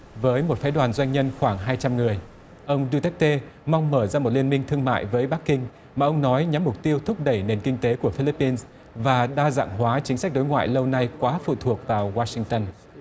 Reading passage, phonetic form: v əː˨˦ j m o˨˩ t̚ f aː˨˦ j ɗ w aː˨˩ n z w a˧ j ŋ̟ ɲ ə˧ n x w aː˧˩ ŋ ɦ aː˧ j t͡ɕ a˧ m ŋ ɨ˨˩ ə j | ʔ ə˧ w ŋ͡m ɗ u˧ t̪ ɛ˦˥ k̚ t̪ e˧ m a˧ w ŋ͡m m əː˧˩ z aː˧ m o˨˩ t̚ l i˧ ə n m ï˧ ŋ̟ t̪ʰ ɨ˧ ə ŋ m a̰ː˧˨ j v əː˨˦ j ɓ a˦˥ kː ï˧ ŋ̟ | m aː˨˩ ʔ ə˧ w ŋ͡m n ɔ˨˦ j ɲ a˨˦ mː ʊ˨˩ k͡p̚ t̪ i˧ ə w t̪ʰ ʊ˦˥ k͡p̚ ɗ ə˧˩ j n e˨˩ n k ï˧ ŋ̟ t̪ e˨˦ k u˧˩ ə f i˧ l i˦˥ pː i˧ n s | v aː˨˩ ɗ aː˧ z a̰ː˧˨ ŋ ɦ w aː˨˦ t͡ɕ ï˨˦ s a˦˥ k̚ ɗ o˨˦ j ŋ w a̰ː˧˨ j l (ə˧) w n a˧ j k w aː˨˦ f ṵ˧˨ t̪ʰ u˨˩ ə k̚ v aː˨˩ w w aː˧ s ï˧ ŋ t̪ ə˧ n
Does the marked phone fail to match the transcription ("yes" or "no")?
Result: no